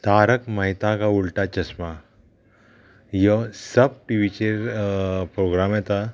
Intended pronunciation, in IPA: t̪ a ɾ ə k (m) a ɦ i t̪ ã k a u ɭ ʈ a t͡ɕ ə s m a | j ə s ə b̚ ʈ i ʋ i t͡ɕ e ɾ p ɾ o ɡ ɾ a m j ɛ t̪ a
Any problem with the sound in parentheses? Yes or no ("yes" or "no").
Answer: no